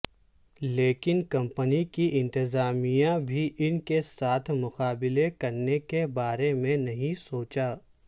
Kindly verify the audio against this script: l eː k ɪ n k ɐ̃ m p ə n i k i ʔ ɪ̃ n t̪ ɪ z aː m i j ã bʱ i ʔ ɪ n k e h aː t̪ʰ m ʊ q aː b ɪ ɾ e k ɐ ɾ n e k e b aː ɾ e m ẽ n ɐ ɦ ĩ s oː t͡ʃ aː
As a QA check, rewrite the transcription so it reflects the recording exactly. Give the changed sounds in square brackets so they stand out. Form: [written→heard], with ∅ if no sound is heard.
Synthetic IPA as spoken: l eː k ɪ n k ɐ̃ m p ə n i k i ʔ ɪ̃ n t̪ ɪ z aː m i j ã bʱ i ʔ ɪ n k e [h→s] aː t̪ʰ m ʊ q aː b ɪ [ɾ→l] e k ɐ ɾ n e k e b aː ɾ e m ẽ n ɐ ɦ ĩ s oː t͡ʃ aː